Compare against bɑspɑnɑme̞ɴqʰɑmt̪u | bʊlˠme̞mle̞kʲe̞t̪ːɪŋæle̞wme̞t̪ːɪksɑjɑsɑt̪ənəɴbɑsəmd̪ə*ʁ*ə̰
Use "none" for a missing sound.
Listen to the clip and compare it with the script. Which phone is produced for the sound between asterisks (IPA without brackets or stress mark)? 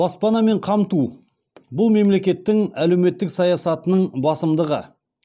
ʁ